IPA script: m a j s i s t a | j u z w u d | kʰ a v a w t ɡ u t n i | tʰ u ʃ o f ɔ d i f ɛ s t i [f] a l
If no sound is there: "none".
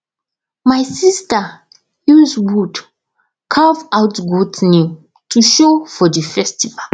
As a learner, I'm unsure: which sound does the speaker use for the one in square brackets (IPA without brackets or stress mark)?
v